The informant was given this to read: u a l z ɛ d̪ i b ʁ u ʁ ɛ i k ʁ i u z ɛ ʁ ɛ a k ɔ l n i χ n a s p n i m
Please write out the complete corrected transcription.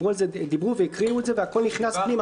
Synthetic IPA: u a l z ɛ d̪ i b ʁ u v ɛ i k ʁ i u z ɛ v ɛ a k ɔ l n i χ n a s p n i m